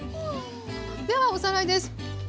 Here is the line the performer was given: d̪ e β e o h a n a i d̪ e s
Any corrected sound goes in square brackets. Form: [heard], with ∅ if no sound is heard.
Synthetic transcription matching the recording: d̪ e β [a] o [s] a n a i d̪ e s